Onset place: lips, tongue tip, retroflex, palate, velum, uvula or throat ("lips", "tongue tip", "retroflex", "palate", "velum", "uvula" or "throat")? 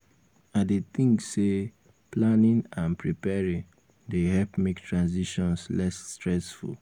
tongue tip